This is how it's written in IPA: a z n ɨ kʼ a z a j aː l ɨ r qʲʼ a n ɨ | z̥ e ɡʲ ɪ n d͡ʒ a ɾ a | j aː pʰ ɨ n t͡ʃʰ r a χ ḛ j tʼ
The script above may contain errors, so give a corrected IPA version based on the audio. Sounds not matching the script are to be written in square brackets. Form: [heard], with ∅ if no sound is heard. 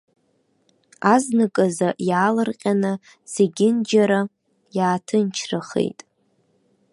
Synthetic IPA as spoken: a z n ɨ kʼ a z a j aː l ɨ r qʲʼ a n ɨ | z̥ e ɡʲ ɪ n d͡ʒ a ɾ a | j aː [tʰ] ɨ n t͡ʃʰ r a χ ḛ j tʼ